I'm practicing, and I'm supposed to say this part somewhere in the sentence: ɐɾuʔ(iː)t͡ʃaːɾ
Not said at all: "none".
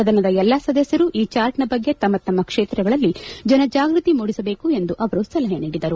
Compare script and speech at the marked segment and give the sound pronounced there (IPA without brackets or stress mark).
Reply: iː